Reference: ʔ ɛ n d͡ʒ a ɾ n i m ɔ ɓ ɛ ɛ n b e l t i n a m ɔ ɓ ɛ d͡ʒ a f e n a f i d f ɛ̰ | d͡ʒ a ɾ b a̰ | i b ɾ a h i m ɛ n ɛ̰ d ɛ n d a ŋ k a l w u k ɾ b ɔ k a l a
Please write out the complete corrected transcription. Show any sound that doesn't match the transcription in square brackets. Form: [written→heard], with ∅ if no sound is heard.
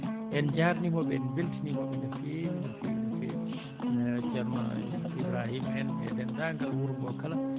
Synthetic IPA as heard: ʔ ɛ n d͡ʒ a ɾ n i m ɔ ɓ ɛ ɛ n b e l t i n [a→i] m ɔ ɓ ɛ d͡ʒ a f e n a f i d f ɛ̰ | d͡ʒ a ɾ [b→m] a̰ | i b ɾ a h i m ɛ n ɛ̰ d ɛ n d a ŋ [k→ɡ] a l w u [k→∅] ɾ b ɔ k a l a